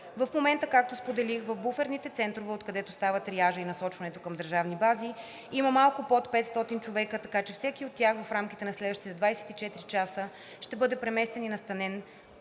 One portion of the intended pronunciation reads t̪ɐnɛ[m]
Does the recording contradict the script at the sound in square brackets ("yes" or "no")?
yes